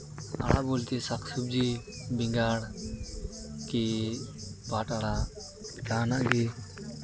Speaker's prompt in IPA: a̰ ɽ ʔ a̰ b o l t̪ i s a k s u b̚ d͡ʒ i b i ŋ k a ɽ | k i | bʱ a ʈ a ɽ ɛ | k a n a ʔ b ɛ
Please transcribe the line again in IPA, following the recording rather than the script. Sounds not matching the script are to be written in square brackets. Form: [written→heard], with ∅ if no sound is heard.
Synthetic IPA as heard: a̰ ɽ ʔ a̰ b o l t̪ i s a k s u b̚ d͡ʒ i b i ŋ [k→ɡ] a ɽ | k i | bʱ a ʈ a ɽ [ɛ→a] | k a n a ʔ [b→ɡ] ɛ